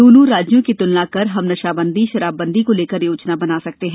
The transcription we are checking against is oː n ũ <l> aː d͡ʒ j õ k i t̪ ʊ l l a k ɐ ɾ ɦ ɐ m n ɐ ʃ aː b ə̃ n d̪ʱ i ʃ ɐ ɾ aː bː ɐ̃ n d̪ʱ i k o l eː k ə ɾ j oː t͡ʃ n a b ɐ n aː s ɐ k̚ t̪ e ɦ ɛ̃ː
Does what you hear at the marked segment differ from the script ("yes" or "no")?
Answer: yes